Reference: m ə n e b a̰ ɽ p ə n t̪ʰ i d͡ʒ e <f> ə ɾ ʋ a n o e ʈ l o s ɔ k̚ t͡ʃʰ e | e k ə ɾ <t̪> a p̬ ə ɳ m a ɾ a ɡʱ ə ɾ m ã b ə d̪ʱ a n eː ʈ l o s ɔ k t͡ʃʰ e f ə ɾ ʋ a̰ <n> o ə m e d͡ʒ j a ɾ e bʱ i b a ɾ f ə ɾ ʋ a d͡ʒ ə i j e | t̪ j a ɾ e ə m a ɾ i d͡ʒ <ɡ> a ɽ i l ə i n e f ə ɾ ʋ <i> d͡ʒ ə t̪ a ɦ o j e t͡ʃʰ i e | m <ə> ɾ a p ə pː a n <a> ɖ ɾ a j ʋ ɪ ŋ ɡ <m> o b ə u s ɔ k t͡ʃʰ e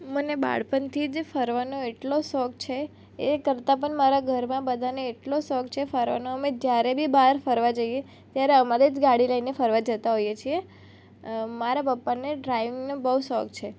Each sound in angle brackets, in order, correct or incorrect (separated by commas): correct, correct, correct, correct, incorrect, incorrect, incorrect, incorrect